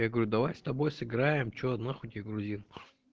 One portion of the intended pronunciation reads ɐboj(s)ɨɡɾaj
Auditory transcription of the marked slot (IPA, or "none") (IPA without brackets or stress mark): s